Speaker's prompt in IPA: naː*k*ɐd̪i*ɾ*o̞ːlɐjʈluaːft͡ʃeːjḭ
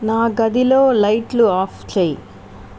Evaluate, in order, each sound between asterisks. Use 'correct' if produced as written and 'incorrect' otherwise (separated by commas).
incorrect, incorrect